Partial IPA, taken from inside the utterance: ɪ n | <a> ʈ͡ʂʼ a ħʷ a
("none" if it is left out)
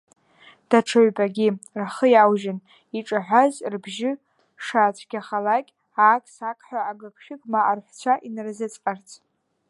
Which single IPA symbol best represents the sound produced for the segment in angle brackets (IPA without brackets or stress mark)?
i